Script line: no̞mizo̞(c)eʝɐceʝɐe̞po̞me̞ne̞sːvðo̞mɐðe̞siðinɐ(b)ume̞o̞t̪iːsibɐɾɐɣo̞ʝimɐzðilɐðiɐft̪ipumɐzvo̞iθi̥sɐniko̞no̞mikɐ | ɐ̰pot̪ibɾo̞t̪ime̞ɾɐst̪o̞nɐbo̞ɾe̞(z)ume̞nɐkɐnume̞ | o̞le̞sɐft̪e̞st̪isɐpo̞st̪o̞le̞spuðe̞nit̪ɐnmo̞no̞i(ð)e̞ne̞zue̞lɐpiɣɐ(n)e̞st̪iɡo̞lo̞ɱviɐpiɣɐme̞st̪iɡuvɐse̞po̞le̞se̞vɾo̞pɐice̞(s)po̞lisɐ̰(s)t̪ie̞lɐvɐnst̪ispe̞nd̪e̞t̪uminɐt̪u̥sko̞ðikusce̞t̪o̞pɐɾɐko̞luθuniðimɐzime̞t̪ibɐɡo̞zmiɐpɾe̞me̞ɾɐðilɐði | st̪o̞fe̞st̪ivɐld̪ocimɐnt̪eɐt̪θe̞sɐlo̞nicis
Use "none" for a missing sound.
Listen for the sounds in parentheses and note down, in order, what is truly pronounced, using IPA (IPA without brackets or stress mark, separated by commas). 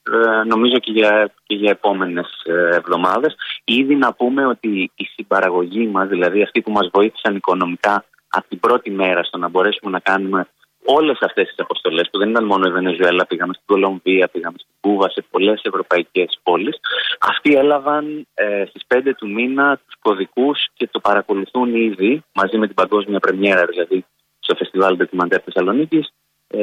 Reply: c, p, s, v, m, s, f